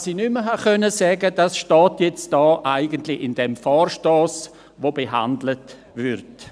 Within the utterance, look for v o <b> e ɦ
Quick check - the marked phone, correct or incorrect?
correct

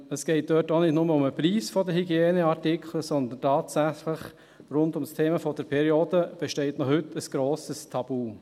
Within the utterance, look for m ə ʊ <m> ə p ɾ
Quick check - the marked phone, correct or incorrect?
correct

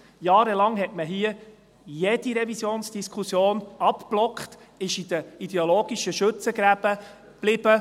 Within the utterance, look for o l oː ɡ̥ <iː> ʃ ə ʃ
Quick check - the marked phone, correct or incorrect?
incorrect: i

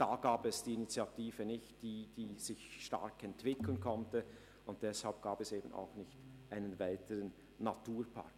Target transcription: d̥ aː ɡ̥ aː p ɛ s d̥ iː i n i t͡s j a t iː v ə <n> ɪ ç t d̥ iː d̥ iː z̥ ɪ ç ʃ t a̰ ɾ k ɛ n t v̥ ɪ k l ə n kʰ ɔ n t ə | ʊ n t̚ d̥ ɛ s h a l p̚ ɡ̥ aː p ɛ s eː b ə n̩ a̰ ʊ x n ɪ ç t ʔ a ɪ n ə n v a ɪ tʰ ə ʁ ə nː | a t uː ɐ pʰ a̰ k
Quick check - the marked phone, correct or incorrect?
correct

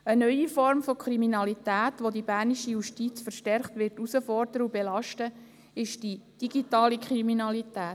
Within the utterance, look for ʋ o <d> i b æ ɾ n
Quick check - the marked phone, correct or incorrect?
correct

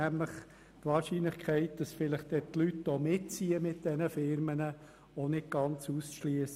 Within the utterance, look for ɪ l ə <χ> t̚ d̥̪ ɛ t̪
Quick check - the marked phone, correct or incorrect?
correct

